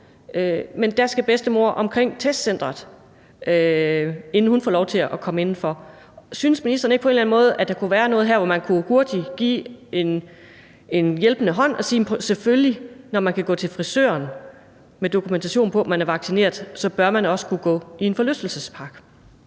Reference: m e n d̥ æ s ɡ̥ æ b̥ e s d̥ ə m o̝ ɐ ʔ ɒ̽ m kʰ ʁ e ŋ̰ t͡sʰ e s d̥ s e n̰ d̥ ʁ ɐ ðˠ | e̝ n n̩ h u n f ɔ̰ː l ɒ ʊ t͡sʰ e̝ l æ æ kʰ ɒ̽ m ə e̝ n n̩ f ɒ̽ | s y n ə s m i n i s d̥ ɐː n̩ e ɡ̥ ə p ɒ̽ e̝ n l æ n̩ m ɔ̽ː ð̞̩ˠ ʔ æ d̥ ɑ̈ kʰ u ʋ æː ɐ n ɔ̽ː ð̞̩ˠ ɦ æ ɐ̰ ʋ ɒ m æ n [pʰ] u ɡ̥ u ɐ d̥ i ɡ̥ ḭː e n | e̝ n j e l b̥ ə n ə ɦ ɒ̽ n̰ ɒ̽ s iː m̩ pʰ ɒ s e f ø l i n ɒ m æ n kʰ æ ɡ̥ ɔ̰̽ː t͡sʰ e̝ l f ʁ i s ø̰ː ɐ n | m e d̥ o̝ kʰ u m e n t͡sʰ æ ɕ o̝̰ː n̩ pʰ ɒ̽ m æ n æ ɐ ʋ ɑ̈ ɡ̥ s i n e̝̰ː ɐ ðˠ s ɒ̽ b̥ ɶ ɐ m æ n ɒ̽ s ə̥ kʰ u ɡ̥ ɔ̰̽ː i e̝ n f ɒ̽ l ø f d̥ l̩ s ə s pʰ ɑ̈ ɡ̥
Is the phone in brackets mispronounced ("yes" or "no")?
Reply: yes